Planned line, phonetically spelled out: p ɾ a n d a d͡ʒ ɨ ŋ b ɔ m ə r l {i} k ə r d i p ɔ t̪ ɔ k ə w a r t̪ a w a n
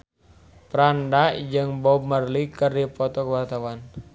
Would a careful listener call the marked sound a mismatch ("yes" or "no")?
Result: no